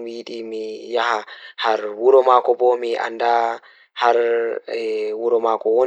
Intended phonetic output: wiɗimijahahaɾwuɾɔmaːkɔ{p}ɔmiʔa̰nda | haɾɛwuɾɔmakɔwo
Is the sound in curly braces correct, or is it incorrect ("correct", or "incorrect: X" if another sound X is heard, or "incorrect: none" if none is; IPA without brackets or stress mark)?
incorrect: b